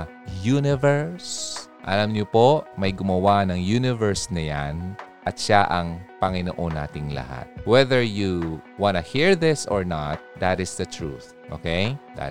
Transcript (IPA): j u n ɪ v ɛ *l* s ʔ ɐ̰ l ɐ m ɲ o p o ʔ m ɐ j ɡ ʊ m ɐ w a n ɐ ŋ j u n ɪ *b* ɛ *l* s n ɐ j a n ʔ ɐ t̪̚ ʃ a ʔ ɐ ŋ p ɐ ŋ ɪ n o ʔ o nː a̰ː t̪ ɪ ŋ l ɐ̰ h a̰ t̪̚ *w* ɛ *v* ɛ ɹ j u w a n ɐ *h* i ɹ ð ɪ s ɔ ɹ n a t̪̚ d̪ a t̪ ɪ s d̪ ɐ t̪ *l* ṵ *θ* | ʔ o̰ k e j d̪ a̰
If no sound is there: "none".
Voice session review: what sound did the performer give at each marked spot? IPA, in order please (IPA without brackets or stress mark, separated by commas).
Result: ɹ, v, ɹ, w, ð, h, ɹ, θ